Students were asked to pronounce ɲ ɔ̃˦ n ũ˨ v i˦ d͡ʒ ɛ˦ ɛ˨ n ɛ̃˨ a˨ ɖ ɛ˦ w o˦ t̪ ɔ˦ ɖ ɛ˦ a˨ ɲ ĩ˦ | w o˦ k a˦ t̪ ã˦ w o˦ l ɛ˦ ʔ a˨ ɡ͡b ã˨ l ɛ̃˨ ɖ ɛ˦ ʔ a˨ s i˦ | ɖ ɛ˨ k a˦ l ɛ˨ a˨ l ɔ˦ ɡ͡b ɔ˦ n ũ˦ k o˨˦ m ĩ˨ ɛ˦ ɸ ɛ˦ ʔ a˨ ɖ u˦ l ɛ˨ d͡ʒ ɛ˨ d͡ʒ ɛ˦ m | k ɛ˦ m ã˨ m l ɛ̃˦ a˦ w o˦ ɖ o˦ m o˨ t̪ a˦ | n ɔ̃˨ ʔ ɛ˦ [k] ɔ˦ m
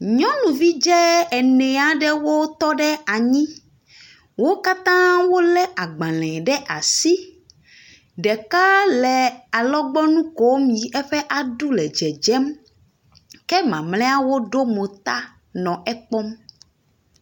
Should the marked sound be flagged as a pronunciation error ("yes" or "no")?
yes